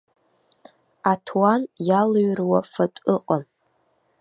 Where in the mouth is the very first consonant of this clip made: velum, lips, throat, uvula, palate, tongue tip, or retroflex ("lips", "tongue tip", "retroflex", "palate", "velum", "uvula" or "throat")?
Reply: tongue tip